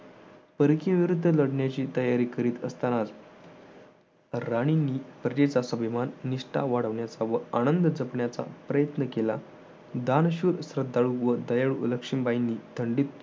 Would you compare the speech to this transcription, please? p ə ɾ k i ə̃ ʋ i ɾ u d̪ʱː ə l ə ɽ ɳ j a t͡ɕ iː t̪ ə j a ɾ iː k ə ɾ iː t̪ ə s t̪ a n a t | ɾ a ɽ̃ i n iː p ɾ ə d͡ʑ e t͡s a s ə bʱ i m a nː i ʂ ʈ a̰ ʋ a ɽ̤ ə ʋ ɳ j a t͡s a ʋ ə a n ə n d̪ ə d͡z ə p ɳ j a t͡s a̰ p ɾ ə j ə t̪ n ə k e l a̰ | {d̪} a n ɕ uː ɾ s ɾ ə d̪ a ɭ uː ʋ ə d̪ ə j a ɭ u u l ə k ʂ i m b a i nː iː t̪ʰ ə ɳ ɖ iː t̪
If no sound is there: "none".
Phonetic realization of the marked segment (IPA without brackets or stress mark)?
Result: d̪